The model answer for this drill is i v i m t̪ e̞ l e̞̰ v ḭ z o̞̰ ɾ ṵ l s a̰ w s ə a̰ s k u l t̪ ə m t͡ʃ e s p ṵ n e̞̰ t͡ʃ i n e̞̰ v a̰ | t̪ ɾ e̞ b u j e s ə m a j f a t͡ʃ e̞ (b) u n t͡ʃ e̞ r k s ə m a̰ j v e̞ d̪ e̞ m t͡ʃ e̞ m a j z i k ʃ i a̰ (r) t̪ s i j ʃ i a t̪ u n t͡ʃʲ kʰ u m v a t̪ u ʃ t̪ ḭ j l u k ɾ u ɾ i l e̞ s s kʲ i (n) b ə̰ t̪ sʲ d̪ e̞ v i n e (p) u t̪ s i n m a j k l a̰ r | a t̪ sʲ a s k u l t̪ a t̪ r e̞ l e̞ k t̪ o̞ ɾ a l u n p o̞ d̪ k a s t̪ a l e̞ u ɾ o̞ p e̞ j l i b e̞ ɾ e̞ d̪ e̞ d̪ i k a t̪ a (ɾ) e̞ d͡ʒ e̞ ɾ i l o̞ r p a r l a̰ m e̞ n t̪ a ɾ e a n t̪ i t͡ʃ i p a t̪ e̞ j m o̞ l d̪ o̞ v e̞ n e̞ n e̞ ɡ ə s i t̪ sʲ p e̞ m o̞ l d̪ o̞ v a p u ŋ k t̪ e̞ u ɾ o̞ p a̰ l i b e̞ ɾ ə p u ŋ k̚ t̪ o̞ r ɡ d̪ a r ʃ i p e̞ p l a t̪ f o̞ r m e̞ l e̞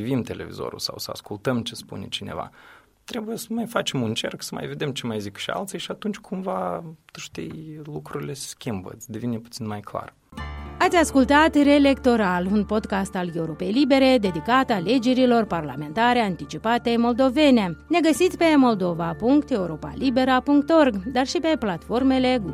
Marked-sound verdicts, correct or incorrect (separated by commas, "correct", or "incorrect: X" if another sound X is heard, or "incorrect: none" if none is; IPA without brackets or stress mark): incorrect: m, incorrect: l, incorrect: m, correct, incorrect: l